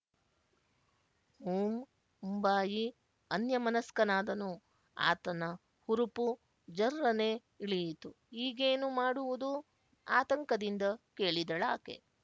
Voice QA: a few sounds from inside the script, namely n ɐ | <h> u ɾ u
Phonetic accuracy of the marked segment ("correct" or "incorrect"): correct